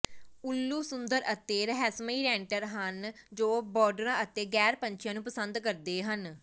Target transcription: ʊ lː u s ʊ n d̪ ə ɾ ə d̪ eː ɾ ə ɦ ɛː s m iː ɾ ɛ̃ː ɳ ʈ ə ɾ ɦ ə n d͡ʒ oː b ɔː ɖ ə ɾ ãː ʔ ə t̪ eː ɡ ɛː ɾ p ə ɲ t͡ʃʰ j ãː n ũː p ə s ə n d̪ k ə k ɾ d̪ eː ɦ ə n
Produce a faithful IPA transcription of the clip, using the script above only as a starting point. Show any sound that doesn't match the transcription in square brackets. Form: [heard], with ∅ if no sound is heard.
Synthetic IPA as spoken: ʊ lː [uː] s ʊ n d̪ ə ɾ ə [t̪] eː ɾ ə ɦ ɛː s m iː ɾ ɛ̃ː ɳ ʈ ə ɾ ɦ ə n d͡ʒ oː b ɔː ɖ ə ɾ ãː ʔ ə t̪ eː ɡ ɛː ɾ p ə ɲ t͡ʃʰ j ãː n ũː p ə s ə n d̪ k ə [∅] ɾ d̪ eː ɦ ə n